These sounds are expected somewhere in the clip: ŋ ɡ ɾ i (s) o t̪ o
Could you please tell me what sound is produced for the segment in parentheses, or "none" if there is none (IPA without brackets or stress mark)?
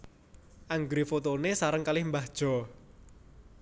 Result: f